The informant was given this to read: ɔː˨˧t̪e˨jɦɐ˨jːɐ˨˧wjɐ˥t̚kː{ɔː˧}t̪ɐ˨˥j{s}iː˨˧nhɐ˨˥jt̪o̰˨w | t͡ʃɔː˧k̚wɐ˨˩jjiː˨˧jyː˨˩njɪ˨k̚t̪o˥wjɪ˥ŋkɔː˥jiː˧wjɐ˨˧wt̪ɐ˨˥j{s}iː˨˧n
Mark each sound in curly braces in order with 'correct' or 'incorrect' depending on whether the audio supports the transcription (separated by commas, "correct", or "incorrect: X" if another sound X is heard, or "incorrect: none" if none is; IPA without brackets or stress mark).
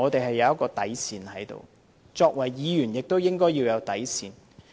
correct, correct, correct